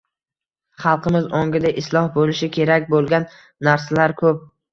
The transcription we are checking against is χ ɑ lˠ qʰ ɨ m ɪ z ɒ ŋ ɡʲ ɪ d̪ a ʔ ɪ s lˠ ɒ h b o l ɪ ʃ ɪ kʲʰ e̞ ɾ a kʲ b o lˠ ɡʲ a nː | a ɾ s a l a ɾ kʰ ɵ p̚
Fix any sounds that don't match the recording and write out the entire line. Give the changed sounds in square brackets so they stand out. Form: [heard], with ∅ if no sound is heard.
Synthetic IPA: χ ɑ lˠ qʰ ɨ m ɪ z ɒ ŋ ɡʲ ɪ d̪ a ʔ ɪ s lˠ ɒ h b o l ɪ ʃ ɪ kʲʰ e̞ ɾ a kʲ b o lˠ ɡʲ a nː | a ɾ s a l a ɾ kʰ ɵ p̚